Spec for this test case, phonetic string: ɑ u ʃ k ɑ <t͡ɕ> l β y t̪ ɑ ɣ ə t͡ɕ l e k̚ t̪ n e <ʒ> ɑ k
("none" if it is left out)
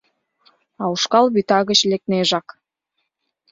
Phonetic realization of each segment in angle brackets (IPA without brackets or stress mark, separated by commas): none, ʒ